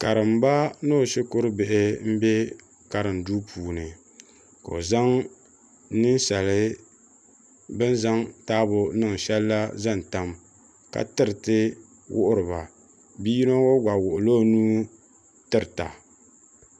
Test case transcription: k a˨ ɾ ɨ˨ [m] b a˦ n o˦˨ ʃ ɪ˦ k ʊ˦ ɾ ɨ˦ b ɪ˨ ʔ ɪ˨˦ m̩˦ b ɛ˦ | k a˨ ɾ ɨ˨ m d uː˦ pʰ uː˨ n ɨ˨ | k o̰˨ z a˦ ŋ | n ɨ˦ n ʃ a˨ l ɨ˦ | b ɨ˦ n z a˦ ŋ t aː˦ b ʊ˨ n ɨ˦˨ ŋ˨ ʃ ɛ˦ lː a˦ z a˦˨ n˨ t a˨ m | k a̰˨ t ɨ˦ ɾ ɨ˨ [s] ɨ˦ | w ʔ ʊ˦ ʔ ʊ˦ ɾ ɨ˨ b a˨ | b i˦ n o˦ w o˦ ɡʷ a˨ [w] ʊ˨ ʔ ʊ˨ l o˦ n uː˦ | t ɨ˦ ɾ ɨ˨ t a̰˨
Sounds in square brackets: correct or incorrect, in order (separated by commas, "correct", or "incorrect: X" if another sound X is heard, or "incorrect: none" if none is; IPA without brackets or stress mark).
correct, incorrect: t, correct